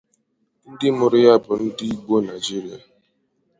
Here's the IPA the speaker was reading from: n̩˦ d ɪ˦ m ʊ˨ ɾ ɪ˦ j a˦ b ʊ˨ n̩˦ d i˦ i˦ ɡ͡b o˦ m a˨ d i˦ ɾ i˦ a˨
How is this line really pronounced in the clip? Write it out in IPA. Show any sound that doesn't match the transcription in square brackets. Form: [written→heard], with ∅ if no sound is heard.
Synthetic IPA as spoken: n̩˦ d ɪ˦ m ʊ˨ ɾ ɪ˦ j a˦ b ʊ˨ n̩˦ d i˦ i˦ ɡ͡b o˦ [m→n] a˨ [d→d͡ʒ] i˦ ɾ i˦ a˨